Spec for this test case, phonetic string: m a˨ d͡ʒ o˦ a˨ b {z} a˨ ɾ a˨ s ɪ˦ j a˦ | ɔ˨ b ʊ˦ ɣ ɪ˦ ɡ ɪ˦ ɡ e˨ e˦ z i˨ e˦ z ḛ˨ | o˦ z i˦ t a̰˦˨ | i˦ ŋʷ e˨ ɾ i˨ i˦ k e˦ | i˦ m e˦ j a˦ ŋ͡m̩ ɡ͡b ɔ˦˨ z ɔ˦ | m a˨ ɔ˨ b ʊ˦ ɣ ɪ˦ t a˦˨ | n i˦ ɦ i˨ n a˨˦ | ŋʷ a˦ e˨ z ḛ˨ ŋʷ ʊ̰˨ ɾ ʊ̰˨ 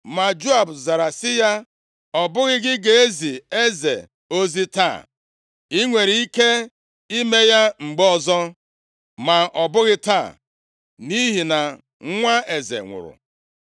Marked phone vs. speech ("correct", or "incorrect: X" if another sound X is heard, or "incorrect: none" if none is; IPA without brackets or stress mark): correct